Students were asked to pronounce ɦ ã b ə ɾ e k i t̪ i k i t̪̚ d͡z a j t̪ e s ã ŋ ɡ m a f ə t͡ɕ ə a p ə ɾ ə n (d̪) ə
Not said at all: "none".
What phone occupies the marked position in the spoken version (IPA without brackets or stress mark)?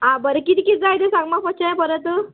t̪